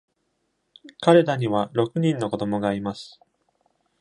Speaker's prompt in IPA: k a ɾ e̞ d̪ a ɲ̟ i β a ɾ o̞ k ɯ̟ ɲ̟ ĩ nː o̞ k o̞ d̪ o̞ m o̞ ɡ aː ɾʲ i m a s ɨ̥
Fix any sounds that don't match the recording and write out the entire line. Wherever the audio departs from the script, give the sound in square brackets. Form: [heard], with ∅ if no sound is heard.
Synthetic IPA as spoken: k a ɾ e̞ d̪ a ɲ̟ i β a ɾ o̞ k ɯ̟ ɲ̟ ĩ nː o̞ k o̞ d̪ o̞ m o̞ ɡ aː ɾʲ i m a s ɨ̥